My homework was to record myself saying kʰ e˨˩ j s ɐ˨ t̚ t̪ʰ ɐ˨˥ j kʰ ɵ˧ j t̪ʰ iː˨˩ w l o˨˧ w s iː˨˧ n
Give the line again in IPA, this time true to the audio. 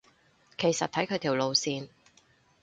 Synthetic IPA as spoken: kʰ e˨˩ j s ɐ˨ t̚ t̪ʰ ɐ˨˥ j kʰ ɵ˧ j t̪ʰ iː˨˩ w l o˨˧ w s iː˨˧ n

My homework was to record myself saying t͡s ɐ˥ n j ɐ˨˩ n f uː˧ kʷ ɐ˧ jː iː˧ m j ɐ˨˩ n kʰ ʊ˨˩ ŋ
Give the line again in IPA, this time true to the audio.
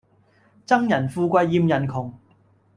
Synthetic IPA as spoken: t͡s ɐ˥ ŋ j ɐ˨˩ n f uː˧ kʷ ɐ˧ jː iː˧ m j ɐ˨˩ n kʰ ʊ˨˩ ŋ

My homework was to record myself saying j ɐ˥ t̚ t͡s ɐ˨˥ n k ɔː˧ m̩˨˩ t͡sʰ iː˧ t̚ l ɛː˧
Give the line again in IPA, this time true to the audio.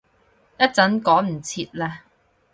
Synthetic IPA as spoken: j ɐ˥ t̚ t͡s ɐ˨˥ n k ɔː˨˥ m̩˨˩ t͡sʰ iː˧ t̚ l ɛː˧

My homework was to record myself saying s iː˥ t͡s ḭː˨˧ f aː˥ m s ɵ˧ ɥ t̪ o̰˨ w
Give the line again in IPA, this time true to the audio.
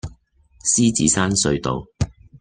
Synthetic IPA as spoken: s iː˥ t͡s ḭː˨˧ s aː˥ n s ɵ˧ ɥ t̪ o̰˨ w

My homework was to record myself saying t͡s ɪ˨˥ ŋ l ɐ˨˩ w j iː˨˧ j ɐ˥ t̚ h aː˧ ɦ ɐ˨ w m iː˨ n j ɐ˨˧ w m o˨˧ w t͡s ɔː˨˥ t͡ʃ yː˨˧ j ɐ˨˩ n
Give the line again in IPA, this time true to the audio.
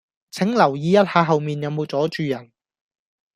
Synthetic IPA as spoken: t͡sʰ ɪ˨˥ ŋ l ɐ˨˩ w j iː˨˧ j ɐ˥ t̚ h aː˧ ɦ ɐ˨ w m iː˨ n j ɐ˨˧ w m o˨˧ w t͡s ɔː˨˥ t͡ʃ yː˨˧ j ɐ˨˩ n

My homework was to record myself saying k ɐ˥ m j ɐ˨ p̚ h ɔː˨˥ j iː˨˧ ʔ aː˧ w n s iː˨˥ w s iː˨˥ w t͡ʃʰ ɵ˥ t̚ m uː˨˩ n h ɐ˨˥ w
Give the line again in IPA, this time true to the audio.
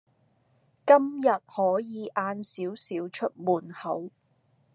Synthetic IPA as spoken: k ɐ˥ m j ɐ˨ t̚ h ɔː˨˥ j iː˨˧ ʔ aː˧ n s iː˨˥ w s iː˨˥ w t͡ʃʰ ɵ˥ t̚ m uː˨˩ n h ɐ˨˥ w

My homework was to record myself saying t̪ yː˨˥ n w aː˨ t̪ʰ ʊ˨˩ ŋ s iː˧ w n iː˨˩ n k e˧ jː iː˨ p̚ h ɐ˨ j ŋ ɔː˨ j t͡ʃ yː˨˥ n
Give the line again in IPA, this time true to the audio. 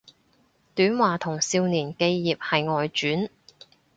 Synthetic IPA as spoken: t̪ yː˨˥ n w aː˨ t̪ʰ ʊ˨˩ ŋ s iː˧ w n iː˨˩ n k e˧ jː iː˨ p̚ h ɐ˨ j ŋ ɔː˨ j t͡ʃ yː˨˥ n

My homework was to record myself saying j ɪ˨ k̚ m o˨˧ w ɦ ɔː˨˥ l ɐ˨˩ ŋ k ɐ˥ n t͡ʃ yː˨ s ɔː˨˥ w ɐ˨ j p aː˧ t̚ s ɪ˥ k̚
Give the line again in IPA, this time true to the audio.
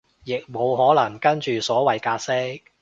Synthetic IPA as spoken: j ɪ˨ k̚ m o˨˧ w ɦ ɔː˨˥ l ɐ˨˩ ŋ k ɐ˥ n t͡ʃ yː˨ s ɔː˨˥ w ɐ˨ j k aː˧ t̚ s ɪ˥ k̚

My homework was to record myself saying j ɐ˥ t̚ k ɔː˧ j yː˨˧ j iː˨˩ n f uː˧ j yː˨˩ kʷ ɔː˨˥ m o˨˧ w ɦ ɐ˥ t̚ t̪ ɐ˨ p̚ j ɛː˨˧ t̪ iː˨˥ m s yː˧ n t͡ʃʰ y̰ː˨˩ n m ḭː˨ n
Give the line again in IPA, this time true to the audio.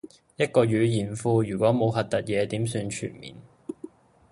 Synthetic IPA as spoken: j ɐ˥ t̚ k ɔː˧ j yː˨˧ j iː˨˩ n f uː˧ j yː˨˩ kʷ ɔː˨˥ m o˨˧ w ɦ ɐ˨ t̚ t̪ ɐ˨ t̚ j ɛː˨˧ t̪ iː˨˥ m s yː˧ n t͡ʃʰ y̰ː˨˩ n m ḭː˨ n

